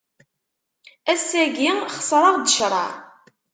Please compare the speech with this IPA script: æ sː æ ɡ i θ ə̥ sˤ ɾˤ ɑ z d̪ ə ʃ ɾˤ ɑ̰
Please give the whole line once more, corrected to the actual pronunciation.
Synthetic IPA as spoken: æ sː æ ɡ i χ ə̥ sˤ ɾˤ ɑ ʁ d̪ ə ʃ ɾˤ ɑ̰